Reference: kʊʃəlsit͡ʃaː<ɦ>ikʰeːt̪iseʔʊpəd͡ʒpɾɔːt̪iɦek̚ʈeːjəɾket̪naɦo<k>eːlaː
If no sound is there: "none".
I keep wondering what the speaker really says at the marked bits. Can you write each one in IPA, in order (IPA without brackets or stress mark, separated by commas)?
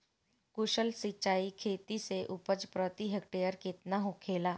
none, kʰ